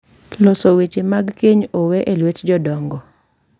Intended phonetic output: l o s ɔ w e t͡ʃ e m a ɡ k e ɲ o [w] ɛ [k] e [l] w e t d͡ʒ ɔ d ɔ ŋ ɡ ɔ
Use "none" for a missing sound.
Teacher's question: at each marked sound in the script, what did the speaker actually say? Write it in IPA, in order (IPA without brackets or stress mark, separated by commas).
w, ʔ, l